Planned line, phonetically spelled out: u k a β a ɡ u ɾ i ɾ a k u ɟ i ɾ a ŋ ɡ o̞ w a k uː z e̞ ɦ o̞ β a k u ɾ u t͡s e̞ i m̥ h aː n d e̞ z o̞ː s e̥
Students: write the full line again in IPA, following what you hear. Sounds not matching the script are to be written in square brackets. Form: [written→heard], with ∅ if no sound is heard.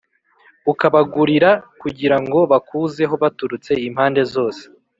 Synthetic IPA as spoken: u k a β a ɡ u ɾ i ɾ a k u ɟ i ɾ a ŋ ɡ o̞ [w→β] a k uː z e̞ ɦ o̞ β a [k→t] u ɾ u t͡s e̞ i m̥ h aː n d e̞ z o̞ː s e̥